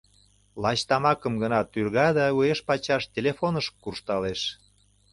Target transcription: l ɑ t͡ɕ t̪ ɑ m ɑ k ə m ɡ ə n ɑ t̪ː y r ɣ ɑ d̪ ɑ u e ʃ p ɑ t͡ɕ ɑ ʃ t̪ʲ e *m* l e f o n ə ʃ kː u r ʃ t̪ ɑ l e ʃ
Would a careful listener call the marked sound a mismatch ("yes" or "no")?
yes